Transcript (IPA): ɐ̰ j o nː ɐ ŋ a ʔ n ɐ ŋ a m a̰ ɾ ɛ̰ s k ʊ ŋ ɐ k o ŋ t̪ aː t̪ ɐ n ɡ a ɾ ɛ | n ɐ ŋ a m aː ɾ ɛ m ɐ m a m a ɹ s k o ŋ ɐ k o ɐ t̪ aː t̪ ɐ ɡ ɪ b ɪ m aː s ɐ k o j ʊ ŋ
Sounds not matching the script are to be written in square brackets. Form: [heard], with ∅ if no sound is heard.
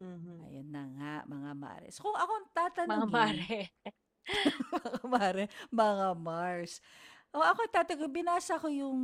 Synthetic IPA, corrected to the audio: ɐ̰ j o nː ɐ ŋ a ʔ [m] ɐ ŋ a m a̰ ɾ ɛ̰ s k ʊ ŋ ɐ k o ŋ t̪ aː t̪ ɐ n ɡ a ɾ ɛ | [m] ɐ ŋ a m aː ɾ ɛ m ɐ [ŋ] a m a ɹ s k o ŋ ɐ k o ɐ t̪ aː t̪ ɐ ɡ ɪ b ɪ [n] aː s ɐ k o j ʊ ŋ